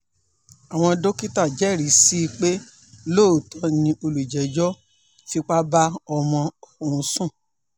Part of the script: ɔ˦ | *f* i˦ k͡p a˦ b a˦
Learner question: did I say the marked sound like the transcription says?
yes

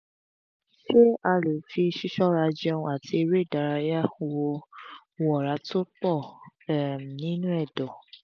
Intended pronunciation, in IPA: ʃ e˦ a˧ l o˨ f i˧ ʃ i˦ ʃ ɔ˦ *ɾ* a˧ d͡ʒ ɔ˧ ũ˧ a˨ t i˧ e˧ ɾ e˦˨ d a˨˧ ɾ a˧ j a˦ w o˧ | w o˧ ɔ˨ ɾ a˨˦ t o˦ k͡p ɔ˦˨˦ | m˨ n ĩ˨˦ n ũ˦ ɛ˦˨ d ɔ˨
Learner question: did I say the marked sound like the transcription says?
yes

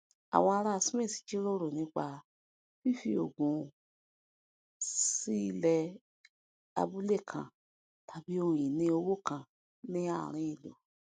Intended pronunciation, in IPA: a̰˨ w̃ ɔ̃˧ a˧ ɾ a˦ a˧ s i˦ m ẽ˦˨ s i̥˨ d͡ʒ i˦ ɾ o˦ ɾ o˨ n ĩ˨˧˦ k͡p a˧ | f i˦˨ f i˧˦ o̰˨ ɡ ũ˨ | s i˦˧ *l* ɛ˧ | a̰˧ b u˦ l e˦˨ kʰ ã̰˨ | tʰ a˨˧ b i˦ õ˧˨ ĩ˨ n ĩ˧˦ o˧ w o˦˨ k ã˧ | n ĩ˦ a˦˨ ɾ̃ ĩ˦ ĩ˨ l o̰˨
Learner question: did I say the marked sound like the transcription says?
yes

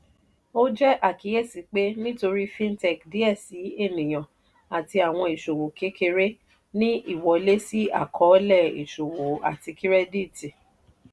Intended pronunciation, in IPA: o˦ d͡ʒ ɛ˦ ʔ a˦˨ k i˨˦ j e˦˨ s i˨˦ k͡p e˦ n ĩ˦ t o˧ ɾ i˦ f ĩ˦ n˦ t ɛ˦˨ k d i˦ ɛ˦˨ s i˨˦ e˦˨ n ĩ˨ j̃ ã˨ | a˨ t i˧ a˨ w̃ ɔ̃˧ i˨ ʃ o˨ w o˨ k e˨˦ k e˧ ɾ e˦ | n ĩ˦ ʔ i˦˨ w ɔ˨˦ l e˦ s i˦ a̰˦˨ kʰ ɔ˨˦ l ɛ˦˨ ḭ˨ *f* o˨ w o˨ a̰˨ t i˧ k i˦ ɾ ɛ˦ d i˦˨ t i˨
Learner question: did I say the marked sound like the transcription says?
no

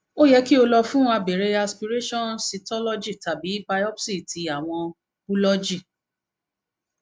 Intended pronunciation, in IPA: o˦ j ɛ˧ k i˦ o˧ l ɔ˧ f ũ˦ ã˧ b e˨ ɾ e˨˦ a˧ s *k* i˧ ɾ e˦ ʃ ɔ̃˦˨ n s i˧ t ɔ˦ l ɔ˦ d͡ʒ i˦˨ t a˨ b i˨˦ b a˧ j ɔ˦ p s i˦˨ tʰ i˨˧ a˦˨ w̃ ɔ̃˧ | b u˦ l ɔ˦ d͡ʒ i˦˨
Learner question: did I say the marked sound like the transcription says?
no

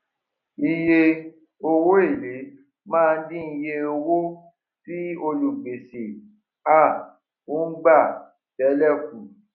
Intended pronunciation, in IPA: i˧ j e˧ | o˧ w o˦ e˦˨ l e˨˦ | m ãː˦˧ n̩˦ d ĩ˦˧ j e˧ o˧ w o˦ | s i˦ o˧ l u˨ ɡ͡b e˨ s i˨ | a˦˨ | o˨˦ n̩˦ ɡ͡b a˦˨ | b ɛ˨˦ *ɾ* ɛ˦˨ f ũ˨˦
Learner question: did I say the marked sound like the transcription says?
no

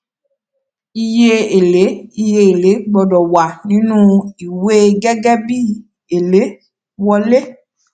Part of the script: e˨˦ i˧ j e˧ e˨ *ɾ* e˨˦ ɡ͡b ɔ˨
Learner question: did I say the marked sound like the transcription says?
no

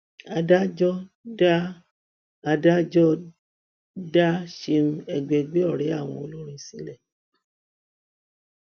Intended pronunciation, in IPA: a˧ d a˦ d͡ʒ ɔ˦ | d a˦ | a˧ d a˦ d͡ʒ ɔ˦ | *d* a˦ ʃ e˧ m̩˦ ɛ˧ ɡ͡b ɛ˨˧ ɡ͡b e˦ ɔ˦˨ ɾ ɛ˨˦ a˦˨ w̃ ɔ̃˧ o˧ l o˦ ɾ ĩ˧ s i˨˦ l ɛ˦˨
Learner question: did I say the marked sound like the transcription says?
yes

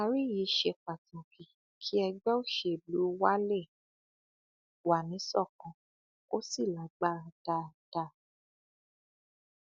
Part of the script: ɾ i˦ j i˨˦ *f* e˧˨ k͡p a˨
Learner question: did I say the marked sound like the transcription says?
no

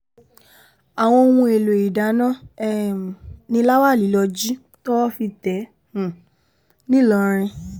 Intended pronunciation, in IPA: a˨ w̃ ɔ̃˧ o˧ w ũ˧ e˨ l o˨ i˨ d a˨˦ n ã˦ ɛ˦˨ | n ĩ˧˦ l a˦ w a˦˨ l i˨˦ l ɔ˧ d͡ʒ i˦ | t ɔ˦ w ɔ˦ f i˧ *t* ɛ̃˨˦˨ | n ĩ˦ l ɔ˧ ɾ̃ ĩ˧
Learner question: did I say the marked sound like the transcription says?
yes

